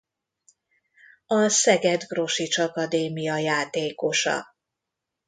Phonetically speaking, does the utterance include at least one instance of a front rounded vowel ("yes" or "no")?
no